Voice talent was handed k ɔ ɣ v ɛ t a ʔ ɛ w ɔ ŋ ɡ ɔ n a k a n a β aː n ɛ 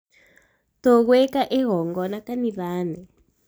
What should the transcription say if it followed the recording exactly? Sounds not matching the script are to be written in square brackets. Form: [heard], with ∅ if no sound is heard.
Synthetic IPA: [t] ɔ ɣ [w] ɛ [k] a ʔ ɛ [ɣ] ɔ ŋ ɡ ɔ n a k a n [i] β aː n ɛ